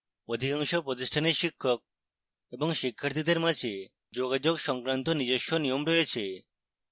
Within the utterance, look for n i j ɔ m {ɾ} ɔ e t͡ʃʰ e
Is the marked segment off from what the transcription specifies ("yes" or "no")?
no